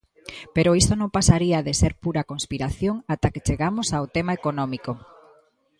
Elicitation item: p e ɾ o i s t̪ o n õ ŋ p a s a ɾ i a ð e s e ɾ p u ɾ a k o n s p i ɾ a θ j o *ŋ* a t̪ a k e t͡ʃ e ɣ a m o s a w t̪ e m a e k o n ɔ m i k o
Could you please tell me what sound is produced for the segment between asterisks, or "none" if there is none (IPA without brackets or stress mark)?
ŋ